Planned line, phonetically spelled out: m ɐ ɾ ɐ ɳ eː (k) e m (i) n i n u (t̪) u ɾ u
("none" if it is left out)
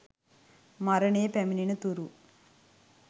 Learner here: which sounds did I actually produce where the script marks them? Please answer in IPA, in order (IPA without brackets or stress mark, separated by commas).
p, i, t̪